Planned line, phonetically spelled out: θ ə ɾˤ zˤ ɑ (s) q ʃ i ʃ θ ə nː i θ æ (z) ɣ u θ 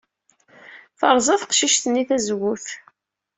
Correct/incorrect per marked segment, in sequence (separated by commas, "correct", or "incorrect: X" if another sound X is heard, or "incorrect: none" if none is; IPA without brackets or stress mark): incorrect: θ, correct